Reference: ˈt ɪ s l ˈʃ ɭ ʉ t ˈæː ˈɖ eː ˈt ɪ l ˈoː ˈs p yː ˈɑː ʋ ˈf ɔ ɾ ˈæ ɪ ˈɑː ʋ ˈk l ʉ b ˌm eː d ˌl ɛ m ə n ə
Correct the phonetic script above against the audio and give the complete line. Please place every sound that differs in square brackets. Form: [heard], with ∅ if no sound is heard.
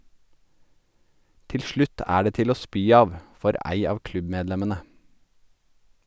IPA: ˈt ɪ [∅] l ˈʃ ɭ ʉ t ˈæː ˈɖ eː ˈt ɪ l ˈoː ˈs p yː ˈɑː ʋ ˈf ɔ ɾ ˈæ ɪ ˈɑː ʋ ˈk l ʉ b ˌm eː d ˌl ɛ m ə n ə

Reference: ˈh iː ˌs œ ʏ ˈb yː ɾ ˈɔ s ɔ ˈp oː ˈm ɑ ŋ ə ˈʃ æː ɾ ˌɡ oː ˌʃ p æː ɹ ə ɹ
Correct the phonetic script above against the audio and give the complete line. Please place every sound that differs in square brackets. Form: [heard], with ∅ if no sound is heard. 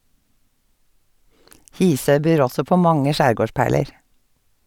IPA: ˈh iː ˌs œ ʏ ˈb yː ɾ ˈɔ s ɔ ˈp oː ˈm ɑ ŋ ə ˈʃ æː ɾ ˌɡ oː ˌʃ p æː [ɭ] ə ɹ

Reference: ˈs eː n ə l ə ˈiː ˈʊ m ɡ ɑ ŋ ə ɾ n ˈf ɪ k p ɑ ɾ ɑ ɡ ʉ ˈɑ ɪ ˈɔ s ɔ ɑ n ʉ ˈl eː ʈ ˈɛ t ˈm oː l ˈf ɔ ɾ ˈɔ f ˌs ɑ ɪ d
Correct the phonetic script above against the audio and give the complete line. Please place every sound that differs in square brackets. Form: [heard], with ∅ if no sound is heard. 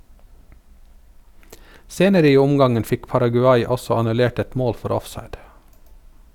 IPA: ˈs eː n ə [ɾ] ə ˈiː ˈʊ m ɡ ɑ ŋ ə [∅] n ˈf ɪ k p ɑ ɾ ɑ ɡ ʉ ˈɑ ɪ ˈɔ s ɔ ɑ n ʉ ˈl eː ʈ ˈɛ t ˈm oː l ˈf ɔ ɾ ˈɔ f ˌs ɑ ɪ d

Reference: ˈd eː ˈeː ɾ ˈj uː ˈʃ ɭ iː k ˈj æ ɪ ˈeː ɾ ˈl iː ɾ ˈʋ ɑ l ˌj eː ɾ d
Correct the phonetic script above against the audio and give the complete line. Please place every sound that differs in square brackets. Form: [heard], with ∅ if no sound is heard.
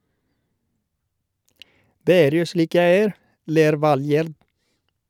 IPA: ˈd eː ˈeː ɾ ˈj uː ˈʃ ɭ iː k ˈj æ ɪ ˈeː ɾ ˈl [eː] ɾ ˈʋ ɑ l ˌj eː ɾ d

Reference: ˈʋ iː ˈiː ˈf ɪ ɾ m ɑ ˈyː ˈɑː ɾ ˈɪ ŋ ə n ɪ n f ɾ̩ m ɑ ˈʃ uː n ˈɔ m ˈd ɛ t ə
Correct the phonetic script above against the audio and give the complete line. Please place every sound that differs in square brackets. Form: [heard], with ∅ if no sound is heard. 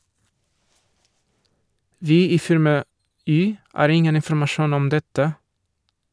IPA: ˈʋ iː ˈiː ˈf ɪ ɾ m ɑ ˈyː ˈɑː ɾ ˈɪ ŋ ə n ɪ n f ɾ̩ m ɑ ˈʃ uː n ˈɔ m ˈd ɛ t ə

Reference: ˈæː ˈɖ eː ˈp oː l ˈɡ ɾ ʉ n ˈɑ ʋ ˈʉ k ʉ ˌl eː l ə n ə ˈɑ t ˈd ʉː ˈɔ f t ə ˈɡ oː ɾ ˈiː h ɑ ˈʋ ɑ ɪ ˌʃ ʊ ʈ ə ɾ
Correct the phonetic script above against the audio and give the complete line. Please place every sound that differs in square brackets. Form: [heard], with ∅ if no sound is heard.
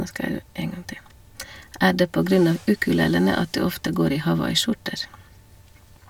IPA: ˈæː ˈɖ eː ˈp oː [∅] ˈɡ ɾ ʉ n ˈɑ ʋ ˈʉ k ʉ ˌl eː l ə n ə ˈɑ t ˈd ʉː ˈɔ f t ə ˈɡ oː ɾ ˈiː h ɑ ˈʋ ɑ ɪ ˌʃ ʊ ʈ ə ɾ

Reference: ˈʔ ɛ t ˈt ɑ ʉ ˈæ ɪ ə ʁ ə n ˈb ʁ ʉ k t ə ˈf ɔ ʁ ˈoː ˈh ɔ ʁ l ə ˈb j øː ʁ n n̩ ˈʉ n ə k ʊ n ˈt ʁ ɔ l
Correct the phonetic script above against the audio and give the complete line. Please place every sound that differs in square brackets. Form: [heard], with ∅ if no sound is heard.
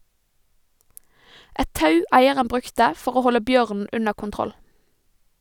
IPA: ˈʔ ɛ t ˈt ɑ ʉ ˈæ ɪ ə ʁ ə n ˈb ʁ ʉ k t ə ˈf ɔ ʁ ˈoː ˈh ɔ [∅] l ə ˈb j øː ʁ n n̩ ˈʉ n ə k ʊ n ˈt ʁ ɔ l

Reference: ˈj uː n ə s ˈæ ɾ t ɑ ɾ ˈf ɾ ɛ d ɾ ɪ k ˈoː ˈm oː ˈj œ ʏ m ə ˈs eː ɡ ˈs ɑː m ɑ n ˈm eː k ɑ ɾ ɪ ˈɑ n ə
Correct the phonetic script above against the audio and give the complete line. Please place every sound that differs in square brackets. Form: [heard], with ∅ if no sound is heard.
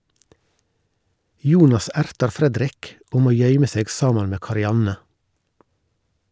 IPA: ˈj uː n [ɑ] s ˈæ ɾ t ɑ ɾ ˈf ɾ ɛ d ɾ ɪ k ˈoː ˈm oː ˈj œ ʏ m ə ˈs eː ɡ ˈs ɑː m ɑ n ˈm eː k ɑ ɾ ɪ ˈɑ n ə

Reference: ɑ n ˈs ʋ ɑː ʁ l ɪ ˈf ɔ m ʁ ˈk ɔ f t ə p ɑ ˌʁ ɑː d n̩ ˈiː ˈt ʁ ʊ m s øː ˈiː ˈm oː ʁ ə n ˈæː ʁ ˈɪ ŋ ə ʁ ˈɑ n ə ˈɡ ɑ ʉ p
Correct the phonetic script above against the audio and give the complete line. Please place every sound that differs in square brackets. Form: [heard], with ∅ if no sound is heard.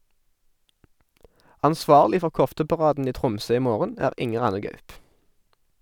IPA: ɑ n ˈs ʋ ɑː ʁ l ɪ ˈf ɔ [∅] ʁ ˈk ɔ f t ə p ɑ ˌʁ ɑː d n̩ ˈiː ˈt ʁ ʊ m s øː ˈiː ˈm oː ʁ ə n ˈæː ʁ ˈɪ ŋ ə ʁ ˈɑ n ə ˈɡ ɑ ʉ p

